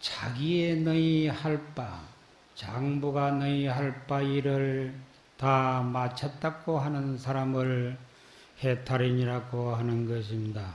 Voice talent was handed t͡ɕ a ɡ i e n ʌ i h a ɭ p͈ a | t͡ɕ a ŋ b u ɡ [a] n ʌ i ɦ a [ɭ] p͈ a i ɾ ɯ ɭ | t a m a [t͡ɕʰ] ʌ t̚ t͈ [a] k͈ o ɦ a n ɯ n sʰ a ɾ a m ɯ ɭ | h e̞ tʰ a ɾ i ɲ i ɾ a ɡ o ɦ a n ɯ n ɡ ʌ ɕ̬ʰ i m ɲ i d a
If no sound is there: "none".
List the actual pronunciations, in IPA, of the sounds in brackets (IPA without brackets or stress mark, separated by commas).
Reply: a, ɭ, t͡ɕʰ, a